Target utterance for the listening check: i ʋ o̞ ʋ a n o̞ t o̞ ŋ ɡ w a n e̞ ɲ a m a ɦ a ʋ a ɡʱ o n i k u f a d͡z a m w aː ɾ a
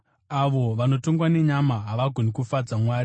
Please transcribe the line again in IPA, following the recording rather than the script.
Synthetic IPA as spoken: a ʋ o̞ ʋ a n o̞ t o̞ ŋ ɡ w a n e̞ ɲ a m a ɦ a ʋ a ɡʱ o n i k u f a d͡z a m w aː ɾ i